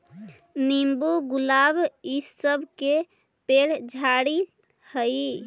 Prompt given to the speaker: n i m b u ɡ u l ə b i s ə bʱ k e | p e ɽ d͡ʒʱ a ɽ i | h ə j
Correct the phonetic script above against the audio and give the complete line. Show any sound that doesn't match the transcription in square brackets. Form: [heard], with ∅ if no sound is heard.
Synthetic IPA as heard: n i m b u ɡ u l [a] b i s ə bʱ k e | p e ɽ d͡ʒʱ a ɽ i | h ə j